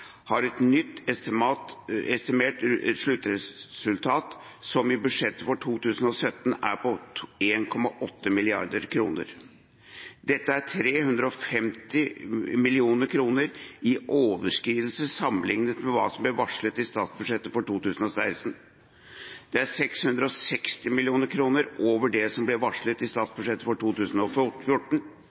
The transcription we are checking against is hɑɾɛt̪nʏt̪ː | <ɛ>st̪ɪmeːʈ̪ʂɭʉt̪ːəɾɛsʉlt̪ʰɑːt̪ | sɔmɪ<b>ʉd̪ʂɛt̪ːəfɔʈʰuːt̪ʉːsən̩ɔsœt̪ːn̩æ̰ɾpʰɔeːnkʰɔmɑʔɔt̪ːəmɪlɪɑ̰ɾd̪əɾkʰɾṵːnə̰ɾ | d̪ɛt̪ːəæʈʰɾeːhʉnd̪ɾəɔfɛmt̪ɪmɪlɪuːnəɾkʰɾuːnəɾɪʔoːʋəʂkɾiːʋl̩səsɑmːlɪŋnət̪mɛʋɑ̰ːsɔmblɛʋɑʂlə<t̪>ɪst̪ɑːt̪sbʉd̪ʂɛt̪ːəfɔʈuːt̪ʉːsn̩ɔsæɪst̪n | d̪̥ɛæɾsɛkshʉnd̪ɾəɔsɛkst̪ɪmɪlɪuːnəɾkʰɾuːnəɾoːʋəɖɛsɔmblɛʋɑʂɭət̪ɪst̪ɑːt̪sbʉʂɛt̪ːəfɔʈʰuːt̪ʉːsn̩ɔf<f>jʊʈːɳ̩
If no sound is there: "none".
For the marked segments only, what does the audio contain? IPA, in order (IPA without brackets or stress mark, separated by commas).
ɛ, b, t̪, f